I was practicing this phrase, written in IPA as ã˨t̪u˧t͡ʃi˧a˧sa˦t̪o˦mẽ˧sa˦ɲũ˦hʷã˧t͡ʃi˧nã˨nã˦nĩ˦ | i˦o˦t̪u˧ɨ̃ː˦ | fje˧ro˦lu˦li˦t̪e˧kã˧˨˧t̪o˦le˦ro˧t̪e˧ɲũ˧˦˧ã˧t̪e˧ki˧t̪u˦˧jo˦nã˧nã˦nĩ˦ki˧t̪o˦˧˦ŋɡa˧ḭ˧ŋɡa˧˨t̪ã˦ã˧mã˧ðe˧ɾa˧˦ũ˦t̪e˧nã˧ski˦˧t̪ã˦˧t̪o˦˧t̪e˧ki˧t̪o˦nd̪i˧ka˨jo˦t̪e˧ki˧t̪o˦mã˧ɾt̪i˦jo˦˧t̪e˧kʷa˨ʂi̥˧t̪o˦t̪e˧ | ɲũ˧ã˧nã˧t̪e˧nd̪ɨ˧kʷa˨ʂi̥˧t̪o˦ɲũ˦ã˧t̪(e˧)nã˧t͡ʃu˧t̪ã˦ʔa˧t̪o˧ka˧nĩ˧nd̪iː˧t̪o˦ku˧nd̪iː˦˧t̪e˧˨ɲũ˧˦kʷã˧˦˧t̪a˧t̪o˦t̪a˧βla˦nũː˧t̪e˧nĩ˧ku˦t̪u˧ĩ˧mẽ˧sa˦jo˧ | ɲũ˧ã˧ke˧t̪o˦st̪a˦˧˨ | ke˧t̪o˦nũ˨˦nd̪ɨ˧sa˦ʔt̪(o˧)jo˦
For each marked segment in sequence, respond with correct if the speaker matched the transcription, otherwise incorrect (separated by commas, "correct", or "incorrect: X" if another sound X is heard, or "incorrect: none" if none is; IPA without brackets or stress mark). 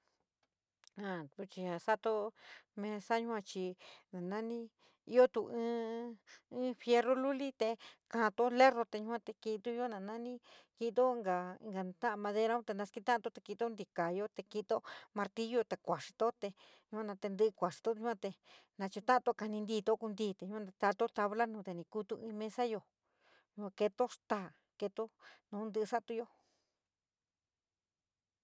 correct, incorrect: u˧